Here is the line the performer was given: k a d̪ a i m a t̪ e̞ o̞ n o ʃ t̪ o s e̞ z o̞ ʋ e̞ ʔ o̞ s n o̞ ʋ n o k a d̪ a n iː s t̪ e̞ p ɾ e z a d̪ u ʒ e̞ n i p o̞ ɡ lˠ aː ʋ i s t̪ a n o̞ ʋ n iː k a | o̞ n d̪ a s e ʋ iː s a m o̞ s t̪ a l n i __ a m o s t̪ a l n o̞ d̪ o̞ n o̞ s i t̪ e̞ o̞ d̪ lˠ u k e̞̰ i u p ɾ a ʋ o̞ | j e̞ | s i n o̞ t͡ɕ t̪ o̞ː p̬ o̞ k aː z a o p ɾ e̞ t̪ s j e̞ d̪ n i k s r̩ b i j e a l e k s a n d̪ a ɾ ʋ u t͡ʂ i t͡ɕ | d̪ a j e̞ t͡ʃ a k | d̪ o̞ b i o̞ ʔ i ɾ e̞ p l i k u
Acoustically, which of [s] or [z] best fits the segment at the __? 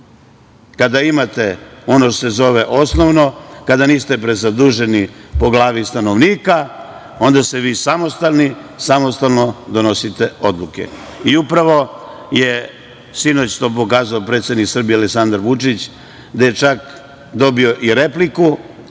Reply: s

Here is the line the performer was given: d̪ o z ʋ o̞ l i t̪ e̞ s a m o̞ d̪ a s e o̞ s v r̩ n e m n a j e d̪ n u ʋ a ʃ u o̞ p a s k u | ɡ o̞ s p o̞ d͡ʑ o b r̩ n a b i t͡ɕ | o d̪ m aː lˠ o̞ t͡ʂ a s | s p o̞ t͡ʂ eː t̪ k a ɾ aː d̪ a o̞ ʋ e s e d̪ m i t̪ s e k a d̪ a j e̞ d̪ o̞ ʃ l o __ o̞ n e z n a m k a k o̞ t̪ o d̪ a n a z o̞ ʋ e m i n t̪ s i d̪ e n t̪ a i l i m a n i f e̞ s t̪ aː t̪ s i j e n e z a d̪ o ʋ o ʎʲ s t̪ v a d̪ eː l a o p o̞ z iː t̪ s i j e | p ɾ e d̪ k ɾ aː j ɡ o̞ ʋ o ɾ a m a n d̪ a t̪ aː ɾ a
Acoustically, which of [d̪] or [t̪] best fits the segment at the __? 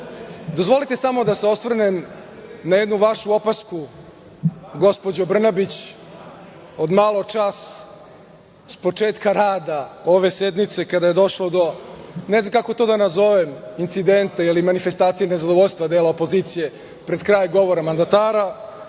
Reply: d̪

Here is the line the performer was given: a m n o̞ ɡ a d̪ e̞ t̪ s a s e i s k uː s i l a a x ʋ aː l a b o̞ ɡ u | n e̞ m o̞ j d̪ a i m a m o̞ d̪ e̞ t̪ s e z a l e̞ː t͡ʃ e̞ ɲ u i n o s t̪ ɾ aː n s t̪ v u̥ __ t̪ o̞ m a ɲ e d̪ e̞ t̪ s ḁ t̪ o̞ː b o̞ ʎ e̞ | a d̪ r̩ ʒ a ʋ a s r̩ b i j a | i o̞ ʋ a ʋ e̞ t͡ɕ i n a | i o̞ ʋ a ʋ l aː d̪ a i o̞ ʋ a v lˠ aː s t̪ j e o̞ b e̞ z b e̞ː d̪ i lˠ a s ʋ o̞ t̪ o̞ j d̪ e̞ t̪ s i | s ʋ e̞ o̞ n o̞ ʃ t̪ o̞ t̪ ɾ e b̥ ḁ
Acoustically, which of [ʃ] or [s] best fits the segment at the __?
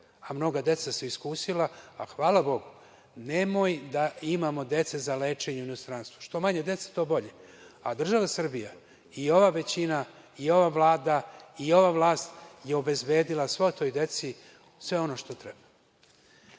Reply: ʃ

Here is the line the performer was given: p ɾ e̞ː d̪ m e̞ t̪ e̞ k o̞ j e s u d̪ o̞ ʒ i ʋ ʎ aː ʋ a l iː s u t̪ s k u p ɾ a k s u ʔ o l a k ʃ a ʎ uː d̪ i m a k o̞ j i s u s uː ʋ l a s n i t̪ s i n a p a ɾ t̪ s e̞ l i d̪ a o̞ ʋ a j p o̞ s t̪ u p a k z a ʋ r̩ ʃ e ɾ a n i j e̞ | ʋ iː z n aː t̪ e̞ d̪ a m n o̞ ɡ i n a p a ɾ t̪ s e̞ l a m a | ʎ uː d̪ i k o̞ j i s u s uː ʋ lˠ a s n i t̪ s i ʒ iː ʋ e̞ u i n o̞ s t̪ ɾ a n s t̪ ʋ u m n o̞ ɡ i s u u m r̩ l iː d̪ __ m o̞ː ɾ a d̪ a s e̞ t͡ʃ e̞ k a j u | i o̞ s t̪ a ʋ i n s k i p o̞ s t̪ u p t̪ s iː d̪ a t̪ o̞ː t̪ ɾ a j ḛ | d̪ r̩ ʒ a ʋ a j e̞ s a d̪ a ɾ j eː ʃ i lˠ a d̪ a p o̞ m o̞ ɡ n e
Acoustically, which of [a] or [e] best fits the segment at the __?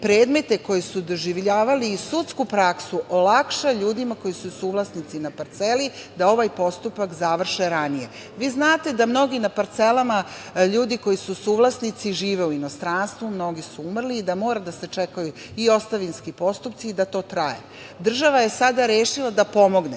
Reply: a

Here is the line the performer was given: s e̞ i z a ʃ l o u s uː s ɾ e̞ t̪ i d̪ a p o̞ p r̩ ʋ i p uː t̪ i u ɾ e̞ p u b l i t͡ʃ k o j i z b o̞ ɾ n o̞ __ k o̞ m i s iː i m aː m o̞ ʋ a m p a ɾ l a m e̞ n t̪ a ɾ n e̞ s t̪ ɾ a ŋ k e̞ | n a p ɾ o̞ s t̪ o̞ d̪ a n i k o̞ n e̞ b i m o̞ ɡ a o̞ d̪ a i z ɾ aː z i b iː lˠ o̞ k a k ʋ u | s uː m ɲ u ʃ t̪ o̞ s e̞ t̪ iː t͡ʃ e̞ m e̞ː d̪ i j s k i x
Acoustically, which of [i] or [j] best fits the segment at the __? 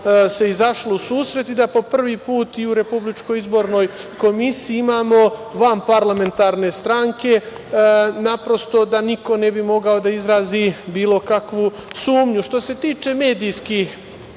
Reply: j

